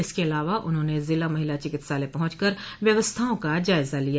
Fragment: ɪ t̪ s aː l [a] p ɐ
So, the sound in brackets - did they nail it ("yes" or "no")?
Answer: no